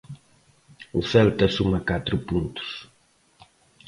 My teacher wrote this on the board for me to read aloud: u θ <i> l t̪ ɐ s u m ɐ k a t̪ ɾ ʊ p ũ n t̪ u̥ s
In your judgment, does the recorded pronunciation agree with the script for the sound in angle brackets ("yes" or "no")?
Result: no